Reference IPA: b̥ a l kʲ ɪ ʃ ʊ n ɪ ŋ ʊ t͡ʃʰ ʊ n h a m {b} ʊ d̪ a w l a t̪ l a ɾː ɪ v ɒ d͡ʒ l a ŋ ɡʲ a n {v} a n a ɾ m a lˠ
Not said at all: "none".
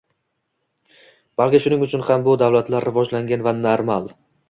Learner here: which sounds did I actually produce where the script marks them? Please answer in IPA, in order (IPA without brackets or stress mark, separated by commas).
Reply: b, v